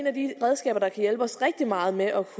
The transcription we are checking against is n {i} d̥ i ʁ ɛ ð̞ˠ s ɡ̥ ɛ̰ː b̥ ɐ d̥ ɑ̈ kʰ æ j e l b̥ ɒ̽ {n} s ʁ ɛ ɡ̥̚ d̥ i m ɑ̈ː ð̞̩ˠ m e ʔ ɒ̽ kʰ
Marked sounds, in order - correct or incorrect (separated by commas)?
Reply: incorrect, incorrect